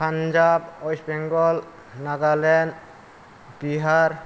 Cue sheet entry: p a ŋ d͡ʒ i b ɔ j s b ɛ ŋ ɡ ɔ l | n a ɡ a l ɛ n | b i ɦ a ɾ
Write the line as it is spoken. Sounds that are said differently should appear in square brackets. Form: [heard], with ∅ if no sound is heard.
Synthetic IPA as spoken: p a [n] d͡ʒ [a] b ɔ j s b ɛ ŋ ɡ ɔ l | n a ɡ a l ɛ n | b i ɦ a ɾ